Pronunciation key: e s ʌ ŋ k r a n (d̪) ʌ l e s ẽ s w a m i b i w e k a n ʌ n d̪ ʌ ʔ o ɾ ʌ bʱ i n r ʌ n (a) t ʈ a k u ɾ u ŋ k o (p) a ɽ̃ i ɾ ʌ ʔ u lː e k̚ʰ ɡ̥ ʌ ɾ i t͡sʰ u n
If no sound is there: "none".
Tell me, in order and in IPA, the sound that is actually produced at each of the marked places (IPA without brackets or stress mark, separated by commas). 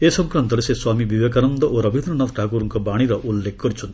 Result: t̪, ʌ, b